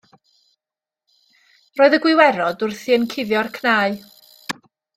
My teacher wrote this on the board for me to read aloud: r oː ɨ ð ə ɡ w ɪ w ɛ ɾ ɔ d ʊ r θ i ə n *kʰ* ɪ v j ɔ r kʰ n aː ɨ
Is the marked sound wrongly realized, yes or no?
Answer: no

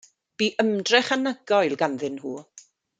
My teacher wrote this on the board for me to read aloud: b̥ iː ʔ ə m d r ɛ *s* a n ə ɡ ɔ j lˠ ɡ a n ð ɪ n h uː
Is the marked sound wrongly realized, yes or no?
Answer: yes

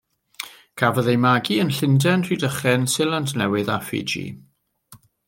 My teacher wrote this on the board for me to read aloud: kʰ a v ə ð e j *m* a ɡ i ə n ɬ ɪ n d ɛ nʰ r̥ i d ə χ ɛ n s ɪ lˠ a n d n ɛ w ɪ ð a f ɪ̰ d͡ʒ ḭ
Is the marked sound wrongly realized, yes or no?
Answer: no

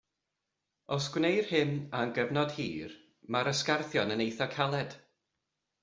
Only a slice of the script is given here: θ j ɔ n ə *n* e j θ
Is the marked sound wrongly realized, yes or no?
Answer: no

